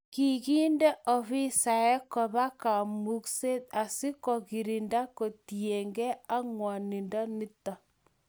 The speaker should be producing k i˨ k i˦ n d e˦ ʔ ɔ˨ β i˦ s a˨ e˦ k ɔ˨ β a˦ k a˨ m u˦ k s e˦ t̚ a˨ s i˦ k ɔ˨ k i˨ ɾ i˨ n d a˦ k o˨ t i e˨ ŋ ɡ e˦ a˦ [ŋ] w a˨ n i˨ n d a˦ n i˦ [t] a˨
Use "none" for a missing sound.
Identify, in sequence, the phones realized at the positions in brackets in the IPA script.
ŋ, t

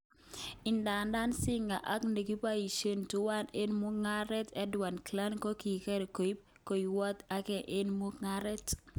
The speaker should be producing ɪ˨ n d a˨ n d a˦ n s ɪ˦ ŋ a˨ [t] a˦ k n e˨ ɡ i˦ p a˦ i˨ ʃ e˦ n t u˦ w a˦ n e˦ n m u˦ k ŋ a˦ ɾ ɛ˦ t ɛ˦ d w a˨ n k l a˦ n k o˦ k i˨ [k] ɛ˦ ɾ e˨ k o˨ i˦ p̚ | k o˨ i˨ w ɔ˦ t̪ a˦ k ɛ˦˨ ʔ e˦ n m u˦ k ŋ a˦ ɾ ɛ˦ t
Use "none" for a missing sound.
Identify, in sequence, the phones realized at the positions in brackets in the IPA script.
ʔ, k

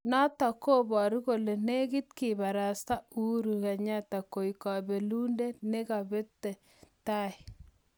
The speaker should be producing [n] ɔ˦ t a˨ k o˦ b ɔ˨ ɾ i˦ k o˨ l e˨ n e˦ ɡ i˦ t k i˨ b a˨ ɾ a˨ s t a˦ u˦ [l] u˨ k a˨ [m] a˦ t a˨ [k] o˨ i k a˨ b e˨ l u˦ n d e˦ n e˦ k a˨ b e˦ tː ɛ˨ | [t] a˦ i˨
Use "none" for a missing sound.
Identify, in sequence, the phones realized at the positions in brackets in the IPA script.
n, ɾ, ɲ, k, t

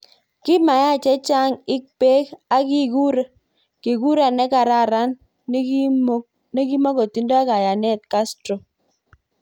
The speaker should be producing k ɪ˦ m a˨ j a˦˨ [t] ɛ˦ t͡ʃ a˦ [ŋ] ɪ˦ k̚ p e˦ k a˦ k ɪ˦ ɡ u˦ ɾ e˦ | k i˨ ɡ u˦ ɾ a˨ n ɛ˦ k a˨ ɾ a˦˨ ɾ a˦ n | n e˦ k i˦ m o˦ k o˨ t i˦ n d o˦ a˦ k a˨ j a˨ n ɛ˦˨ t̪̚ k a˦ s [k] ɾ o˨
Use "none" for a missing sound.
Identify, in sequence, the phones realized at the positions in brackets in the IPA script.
t͡ʃ, ŋ, t

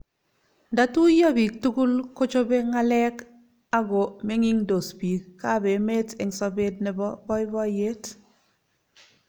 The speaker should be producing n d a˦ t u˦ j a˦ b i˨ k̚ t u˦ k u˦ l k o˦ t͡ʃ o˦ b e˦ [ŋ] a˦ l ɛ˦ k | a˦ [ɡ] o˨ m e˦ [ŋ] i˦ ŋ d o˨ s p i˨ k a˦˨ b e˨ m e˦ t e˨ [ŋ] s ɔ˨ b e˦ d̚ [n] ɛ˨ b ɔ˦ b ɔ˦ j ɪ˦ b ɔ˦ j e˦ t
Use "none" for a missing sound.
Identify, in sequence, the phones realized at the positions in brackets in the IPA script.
ŋ, ɡ, ŋ, ŋ, n

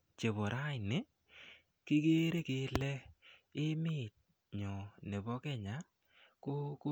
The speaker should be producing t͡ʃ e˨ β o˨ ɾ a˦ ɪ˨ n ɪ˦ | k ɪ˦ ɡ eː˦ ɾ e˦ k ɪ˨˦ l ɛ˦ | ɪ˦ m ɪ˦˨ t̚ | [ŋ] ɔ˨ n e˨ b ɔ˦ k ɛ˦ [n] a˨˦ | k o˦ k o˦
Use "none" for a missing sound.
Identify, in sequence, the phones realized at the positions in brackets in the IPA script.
ɲ, ɲ

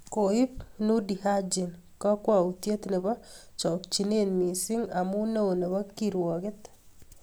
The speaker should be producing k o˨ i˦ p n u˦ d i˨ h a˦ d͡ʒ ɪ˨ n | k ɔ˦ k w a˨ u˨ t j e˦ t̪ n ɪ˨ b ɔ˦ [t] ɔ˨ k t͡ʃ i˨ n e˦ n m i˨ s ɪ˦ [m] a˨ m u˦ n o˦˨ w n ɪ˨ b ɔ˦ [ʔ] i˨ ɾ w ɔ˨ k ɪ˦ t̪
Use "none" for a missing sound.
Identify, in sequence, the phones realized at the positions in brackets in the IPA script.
t͡ʃ, ŋ, k

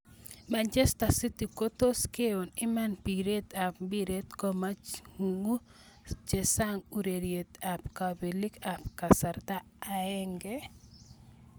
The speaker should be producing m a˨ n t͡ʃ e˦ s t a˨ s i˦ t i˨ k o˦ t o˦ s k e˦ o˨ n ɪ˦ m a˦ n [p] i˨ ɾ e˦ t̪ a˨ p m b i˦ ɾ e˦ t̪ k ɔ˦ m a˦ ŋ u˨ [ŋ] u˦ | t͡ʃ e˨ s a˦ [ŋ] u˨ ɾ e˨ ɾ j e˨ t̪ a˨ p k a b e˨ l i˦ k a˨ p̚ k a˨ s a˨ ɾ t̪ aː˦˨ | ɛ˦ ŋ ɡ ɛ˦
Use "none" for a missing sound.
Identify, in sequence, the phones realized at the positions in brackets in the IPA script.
p, ŋ, ŋ

